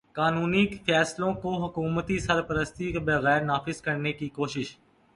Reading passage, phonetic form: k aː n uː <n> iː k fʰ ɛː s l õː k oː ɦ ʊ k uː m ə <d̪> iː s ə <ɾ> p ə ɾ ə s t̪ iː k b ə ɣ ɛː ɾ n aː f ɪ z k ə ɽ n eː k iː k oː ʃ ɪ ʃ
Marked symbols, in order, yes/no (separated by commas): yes, no, yes